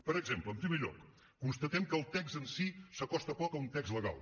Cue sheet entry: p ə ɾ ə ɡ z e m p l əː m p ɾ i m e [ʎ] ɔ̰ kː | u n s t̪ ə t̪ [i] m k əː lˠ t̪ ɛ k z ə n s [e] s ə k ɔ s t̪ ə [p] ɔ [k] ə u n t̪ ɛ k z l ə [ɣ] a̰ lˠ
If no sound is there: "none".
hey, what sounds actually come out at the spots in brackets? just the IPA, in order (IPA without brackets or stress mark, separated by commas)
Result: ʎ, ɛ, i, p, k, ɣ